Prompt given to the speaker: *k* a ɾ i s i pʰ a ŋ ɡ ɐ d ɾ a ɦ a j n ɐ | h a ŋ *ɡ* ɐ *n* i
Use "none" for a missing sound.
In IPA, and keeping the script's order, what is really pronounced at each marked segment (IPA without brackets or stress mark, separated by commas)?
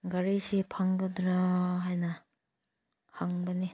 ɡ, b, n